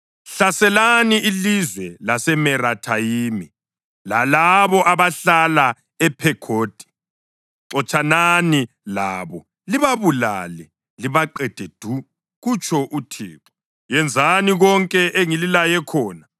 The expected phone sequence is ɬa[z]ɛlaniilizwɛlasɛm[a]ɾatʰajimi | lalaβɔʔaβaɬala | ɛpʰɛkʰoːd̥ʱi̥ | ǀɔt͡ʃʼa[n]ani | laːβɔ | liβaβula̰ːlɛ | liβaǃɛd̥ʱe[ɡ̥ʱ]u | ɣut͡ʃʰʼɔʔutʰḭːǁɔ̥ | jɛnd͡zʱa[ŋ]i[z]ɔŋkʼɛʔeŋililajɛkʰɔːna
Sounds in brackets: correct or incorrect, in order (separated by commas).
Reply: incorrect, incorrect, correct, incorrect, incorrect, incorrect